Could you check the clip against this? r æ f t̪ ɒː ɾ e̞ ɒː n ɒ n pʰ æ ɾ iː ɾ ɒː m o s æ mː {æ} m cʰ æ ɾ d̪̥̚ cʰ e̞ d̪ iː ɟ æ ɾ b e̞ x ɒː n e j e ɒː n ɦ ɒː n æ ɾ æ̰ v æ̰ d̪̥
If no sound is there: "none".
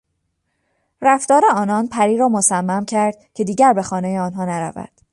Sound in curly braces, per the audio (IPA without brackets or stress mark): æ